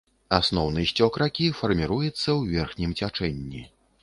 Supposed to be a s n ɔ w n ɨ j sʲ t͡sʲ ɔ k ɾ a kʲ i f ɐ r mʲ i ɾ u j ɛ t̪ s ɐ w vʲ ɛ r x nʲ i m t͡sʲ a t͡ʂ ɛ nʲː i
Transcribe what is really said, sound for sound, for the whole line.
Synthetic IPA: a s n ɔ w n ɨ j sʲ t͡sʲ ɔ k ɾ a kʲ i f ɐ r mʲ i ɾ u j ɛ t̪ sː ɐ w vʲ ɛ r x nʲ i m t͡sʲ a t͡ʂ ɛ nʲː i